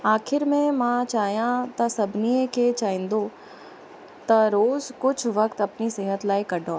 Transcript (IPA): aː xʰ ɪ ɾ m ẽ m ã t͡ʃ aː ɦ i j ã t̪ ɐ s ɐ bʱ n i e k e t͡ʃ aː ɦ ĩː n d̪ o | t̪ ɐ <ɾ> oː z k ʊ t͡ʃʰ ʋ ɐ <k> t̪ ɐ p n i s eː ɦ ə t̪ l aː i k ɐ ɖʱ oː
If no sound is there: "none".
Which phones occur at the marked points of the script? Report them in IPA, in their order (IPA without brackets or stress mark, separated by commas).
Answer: ɾ, k